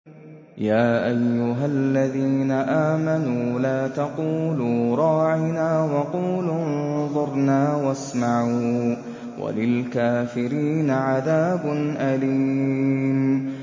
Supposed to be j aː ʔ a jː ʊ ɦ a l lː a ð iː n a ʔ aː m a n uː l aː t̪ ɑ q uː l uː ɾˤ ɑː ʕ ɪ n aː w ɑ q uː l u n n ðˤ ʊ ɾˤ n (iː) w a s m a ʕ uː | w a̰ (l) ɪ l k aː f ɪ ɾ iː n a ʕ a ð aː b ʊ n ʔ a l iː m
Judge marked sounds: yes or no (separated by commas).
no, yes